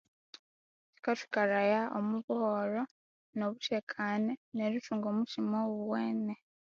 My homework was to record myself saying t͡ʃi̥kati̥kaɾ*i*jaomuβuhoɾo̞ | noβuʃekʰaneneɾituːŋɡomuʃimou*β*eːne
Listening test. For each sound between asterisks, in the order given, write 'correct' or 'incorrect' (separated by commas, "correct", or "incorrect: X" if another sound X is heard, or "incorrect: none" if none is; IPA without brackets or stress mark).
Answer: incorrect: a, incorrect: w